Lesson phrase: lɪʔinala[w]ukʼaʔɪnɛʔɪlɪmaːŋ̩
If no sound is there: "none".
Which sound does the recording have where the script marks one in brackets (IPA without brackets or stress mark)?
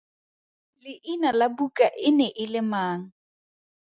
b